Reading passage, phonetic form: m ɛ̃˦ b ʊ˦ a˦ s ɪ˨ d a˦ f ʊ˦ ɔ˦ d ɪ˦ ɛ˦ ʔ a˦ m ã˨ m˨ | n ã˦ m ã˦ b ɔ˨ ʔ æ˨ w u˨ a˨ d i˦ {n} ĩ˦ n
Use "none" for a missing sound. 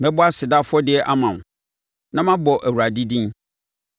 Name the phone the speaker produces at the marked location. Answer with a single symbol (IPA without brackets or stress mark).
d